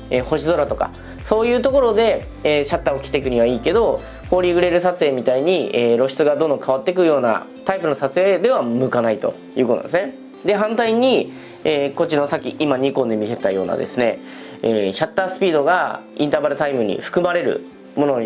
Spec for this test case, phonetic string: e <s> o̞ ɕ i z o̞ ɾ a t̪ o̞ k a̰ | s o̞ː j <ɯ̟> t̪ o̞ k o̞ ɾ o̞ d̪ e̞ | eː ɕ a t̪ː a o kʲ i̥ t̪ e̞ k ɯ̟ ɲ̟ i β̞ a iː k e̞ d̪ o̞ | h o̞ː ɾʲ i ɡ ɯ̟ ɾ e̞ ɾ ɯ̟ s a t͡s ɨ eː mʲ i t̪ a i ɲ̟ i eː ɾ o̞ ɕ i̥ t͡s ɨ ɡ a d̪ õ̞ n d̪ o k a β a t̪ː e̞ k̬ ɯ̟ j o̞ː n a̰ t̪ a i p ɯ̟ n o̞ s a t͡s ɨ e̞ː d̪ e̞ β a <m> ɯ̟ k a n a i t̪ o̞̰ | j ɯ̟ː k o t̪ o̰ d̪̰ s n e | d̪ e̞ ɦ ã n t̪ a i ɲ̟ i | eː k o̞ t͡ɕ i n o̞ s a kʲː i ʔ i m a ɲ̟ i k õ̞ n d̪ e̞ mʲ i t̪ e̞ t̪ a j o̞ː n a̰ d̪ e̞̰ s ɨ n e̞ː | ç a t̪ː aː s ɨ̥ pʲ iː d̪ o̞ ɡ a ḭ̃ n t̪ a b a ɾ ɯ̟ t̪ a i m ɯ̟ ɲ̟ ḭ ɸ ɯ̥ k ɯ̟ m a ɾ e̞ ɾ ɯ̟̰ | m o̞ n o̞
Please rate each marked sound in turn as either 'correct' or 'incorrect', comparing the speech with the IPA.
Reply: incorrect: h, incorrect: ɯ̟ː, correct

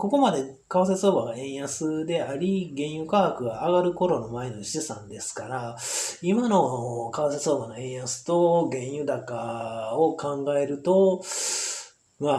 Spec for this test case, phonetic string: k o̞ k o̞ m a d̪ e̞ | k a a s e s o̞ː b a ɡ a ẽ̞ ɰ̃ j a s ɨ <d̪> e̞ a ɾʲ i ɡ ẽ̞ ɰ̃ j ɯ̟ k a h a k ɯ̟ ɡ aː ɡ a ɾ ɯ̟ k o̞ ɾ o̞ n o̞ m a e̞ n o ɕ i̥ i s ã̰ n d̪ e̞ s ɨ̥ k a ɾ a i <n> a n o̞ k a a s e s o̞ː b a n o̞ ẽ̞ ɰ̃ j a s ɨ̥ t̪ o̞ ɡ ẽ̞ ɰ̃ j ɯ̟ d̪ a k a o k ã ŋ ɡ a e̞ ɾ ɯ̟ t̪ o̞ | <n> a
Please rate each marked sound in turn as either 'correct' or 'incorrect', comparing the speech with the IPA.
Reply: correct, incorrect: m, incorrect: m

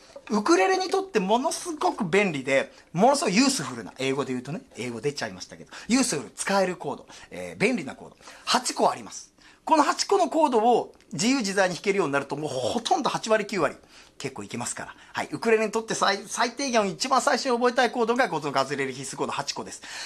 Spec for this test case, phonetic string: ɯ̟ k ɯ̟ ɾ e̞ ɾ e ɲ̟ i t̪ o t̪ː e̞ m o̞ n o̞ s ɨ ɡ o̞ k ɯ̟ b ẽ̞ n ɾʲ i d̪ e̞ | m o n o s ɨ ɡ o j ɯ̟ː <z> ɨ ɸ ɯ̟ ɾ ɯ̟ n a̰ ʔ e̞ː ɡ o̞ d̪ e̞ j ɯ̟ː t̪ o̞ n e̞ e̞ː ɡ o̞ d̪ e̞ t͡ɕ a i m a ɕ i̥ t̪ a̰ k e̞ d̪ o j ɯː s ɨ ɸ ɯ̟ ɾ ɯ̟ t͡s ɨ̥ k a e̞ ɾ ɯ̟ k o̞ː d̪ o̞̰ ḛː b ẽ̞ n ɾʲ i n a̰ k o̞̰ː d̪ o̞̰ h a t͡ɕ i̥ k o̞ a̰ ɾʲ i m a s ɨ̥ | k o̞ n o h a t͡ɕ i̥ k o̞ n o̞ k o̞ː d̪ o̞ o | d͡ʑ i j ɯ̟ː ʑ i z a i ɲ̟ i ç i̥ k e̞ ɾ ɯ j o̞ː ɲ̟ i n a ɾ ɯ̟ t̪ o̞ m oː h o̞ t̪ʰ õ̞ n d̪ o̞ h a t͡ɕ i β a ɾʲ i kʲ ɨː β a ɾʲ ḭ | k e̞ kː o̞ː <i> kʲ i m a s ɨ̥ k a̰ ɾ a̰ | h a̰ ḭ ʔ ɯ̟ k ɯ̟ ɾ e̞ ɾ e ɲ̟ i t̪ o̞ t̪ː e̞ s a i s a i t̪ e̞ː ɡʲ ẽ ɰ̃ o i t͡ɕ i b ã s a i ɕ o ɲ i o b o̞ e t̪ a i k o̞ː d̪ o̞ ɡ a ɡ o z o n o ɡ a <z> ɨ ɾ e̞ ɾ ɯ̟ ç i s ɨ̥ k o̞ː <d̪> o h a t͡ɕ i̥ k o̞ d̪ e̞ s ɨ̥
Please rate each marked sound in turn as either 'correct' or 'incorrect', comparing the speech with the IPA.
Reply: incorrect: s, correct, correct, correct

